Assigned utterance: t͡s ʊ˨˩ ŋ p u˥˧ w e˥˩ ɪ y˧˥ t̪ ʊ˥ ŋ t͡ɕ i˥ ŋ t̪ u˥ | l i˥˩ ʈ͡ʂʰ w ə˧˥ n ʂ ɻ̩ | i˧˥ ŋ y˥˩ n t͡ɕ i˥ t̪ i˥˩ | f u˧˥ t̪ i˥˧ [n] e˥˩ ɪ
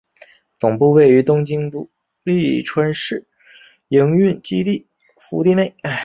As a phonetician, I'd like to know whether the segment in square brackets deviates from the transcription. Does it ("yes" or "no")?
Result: no